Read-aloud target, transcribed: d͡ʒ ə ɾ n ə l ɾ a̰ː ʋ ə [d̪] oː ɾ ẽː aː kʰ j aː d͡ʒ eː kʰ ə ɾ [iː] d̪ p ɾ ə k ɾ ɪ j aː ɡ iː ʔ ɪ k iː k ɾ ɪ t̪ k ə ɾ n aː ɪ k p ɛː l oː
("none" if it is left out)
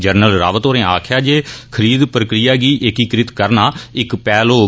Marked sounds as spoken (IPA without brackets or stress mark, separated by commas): t̪, iː